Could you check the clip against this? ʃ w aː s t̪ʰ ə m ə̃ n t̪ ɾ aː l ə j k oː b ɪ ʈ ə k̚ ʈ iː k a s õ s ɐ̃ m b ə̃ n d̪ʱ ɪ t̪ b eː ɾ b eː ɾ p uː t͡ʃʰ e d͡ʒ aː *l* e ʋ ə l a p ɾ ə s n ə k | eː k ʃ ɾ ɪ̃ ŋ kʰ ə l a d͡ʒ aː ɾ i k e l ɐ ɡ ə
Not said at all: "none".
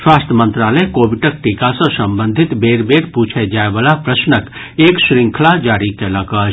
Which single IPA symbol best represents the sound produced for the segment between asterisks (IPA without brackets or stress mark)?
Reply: none